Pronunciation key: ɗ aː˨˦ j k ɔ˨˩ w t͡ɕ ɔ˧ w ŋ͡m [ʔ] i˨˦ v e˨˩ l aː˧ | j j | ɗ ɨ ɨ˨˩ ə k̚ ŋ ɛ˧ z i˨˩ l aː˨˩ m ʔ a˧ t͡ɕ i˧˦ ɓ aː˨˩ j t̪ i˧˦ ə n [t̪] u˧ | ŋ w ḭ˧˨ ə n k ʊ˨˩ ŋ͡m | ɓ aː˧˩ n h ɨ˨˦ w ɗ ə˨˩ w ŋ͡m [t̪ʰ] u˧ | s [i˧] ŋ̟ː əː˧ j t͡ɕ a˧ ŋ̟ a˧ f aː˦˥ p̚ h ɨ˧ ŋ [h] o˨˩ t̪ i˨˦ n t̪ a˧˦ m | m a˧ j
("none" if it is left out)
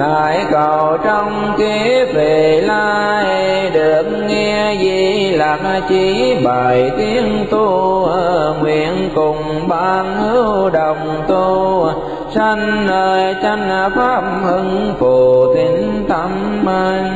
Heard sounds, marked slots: k, t̪, t̪, a˧, f

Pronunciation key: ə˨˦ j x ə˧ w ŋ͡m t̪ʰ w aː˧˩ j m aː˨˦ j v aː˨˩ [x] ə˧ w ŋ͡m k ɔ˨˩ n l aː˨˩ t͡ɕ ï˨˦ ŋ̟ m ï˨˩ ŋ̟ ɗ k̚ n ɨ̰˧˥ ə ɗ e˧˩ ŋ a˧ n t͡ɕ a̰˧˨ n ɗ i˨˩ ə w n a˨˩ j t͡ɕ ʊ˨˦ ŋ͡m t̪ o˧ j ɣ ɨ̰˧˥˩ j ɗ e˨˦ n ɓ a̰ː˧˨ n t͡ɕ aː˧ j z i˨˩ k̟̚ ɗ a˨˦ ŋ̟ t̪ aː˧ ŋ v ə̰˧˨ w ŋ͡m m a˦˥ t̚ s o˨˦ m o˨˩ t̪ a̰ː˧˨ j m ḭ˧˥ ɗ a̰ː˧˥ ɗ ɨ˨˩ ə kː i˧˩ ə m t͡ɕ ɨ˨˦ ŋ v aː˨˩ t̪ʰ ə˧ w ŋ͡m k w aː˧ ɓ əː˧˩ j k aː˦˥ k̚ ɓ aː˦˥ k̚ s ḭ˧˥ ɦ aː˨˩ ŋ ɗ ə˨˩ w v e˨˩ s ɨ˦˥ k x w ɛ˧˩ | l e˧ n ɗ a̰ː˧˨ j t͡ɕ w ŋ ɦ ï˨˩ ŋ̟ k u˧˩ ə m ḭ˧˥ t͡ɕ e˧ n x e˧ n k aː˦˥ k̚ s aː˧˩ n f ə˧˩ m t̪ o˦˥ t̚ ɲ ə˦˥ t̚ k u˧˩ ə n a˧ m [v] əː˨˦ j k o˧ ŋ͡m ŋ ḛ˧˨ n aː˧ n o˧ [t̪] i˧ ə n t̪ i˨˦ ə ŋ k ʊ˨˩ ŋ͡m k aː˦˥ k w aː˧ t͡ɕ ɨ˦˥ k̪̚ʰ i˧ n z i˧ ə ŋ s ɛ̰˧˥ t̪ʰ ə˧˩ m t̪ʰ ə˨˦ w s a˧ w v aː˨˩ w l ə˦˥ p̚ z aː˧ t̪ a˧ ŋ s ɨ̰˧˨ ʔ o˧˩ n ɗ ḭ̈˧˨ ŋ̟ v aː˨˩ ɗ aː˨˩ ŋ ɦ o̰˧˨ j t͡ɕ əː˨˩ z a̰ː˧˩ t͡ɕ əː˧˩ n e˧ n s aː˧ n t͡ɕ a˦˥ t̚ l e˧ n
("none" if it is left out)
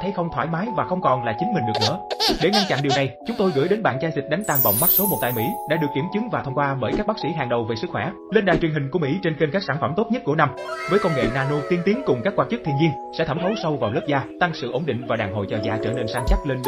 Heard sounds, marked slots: x, v, t̪

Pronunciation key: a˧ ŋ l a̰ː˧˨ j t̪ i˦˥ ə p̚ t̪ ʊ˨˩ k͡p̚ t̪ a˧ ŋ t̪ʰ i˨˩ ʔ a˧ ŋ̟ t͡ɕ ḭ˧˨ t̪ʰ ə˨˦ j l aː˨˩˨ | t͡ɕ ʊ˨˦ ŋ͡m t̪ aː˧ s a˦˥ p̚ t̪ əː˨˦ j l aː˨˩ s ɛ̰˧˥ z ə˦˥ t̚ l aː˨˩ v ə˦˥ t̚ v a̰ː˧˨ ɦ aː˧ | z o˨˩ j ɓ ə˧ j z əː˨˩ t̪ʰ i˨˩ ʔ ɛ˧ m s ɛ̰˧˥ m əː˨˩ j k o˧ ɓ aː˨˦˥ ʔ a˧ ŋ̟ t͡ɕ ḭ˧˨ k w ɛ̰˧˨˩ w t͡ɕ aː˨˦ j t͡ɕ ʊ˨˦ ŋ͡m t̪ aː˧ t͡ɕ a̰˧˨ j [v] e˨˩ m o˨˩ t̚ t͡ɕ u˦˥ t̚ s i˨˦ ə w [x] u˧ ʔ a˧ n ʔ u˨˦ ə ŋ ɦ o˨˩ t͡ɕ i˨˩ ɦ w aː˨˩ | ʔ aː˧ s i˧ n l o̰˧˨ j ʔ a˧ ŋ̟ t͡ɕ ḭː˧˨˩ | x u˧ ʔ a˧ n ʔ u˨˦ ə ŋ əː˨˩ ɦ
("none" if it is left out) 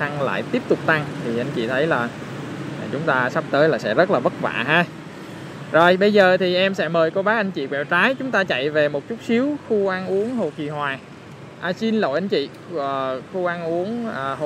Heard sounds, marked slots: v, x

